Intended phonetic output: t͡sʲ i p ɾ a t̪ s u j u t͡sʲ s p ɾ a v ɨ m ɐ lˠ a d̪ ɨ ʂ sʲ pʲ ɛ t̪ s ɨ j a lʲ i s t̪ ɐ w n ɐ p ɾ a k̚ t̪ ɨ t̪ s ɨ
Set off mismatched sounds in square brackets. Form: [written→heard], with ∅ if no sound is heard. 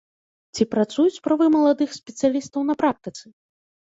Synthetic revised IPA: t͡sʲ i p ɾ a t̪ s u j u t͡sʲ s p ɾ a v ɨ m ɐ lˠ a d̪ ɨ [ʂ→x] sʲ pʲ ɛ t̪ s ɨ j a lʲ i s t̪ ɐ w n ɐ p ɾ a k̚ t̪ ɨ t̪ s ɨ